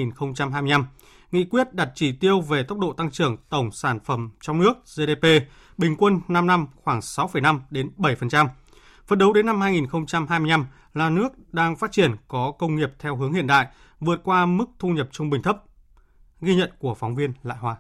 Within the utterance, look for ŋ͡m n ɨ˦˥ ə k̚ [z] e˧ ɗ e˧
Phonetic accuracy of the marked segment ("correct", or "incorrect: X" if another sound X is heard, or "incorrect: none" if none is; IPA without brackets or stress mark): correct